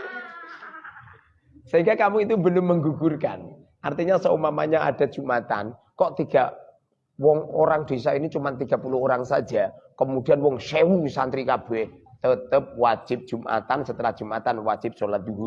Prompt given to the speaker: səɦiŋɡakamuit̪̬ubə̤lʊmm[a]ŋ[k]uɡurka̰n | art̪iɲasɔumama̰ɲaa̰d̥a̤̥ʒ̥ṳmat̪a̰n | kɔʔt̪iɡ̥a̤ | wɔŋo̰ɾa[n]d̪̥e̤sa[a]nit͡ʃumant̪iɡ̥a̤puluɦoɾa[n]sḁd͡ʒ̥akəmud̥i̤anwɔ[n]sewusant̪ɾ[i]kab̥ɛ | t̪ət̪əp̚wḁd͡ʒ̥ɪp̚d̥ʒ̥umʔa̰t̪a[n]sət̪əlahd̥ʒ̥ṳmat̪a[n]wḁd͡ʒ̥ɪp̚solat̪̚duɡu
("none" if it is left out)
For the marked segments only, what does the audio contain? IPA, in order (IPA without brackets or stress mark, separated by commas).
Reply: ə, ɡ, ŋ, i, ŋ, ŋ, i, n, n